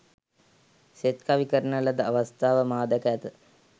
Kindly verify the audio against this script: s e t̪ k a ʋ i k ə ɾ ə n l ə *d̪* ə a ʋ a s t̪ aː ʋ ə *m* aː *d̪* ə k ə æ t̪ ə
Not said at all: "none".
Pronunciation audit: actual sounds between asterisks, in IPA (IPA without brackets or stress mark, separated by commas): d̪, m, d̪